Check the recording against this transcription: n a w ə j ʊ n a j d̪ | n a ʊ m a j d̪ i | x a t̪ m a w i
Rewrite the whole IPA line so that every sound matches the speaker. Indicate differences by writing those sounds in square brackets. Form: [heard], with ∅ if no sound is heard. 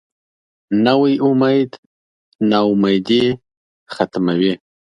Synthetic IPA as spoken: n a w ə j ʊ [m] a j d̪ | n a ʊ m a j d̪ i | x a t̪ m a w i

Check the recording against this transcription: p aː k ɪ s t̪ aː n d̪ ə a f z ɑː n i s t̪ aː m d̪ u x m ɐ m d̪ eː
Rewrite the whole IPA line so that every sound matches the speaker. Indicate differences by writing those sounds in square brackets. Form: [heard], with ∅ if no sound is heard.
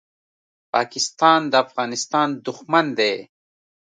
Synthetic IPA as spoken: p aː k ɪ s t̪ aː n d̪ ə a f [ɣ] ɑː n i s t̪ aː [n] d̪ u x m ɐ [n] d̪ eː

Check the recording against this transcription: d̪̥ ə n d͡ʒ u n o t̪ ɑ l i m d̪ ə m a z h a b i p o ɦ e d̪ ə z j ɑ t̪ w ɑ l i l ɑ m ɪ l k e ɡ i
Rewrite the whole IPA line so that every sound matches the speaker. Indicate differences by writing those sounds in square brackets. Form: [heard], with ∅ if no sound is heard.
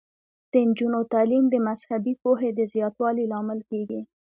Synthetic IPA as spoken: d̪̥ ə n d͡ʒ u n o t̪ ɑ l i m d̪ ə m a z h a b i p o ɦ e d̪ ə z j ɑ t̪ w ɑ l i l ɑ m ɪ l k e ɡ i

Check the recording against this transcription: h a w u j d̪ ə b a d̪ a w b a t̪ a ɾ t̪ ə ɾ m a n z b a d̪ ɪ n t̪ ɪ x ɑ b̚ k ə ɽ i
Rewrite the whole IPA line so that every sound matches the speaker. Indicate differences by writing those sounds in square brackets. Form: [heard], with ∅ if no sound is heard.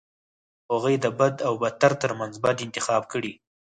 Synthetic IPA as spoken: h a [ɣ] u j d̪ ə b a d̪ a w b a t̪ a ɾ t̪ ə ɾ m a n z b a d̪ ɪ n t̪ ɪ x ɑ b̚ k ə ɽ i

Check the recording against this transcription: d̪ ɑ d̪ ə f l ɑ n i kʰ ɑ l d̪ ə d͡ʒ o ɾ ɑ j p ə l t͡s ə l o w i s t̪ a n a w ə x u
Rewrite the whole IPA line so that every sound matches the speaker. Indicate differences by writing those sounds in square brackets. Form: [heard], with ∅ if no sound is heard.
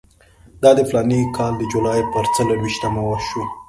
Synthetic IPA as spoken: d̪ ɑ d̪ ə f l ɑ n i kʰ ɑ l d̪ ə d͡ʒ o [l] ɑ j p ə [ɾ] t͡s ə l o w i [ʃ] t̪ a [m] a w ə [ʃ] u

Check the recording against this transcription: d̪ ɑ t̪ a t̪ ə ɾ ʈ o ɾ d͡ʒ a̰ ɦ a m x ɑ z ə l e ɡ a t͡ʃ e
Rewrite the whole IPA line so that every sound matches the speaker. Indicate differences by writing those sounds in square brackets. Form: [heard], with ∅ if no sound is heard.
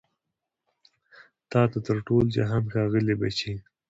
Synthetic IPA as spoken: [t̪] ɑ t̪ a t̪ ə ɾ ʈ o [l] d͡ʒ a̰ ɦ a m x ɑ [ɣ] ə l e [b] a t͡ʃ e

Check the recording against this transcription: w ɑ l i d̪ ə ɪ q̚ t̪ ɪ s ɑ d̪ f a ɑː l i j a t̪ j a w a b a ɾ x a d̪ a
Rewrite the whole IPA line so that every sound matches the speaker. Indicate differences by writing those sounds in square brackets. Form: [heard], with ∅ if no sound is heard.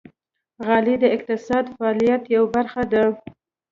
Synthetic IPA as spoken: [ɣ] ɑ l i d̪ ə ɪ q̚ t̪ ɪ s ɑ d̪ f a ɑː l i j a t̪ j a w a b a ɾ x a d̪ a

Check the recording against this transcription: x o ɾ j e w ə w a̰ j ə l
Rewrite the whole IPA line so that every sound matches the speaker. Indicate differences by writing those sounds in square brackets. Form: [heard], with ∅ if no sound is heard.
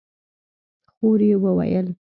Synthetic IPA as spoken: x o ɾ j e w ə w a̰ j ə l

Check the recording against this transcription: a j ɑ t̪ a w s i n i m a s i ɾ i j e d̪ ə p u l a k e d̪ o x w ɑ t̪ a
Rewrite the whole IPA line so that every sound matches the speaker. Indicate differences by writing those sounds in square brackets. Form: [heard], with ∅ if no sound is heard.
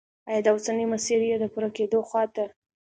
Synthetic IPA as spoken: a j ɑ [d̪] a w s [a] n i m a s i ɾ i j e d̪ ə p u [ɾ] a k e d̪ o x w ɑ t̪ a

